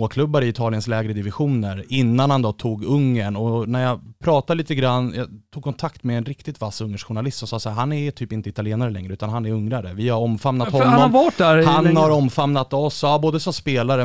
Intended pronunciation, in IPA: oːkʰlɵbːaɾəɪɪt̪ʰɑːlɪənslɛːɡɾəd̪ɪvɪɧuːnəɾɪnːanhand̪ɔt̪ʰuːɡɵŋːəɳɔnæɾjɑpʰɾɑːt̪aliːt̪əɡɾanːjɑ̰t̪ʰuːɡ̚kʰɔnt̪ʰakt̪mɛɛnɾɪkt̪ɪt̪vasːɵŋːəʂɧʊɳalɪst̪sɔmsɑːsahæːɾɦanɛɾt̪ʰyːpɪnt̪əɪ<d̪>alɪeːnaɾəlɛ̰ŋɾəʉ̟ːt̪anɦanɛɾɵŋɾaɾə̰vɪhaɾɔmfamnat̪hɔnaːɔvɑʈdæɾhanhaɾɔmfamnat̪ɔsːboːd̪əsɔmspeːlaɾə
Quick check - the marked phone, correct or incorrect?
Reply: incorrect